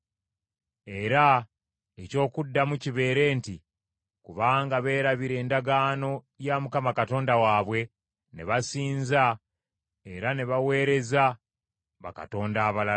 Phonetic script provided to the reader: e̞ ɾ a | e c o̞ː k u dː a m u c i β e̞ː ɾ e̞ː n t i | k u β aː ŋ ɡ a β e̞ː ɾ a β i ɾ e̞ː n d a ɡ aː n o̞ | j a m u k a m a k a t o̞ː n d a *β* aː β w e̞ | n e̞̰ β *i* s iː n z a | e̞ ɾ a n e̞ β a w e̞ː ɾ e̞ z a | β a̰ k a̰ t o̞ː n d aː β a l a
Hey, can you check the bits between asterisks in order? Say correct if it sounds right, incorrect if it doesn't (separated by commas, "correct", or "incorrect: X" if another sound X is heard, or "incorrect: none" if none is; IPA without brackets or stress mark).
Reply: incorrect: w, incorrect: a